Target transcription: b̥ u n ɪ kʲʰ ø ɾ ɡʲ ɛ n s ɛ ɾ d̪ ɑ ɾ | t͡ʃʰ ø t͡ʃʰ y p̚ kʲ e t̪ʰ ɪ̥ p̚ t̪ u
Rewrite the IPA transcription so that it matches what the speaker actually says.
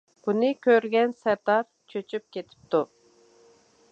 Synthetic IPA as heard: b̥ u n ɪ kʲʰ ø ɾ ɡʲ ɛ n s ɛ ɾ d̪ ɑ ɾ | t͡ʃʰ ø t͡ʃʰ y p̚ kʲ e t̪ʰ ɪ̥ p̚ t̪ u